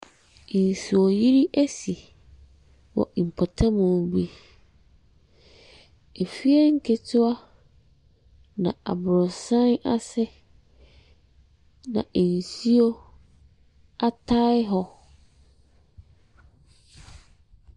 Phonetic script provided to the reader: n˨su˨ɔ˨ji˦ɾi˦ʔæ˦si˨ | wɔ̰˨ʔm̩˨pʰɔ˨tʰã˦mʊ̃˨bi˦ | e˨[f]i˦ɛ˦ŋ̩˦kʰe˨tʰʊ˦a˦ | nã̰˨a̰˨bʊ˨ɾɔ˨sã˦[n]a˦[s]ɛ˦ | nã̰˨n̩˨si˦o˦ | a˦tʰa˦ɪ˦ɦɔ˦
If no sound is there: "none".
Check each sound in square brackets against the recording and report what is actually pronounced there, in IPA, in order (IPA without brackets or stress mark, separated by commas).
f, n, s